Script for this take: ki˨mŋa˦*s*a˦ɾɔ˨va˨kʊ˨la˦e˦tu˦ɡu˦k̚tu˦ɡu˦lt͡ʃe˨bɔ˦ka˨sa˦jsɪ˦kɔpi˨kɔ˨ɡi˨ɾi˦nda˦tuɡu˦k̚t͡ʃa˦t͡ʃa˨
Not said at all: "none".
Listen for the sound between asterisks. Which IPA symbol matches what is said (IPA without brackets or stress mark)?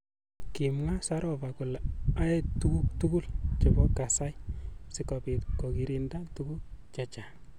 s